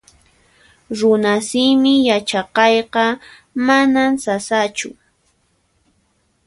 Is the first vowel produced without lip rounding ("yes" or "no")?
no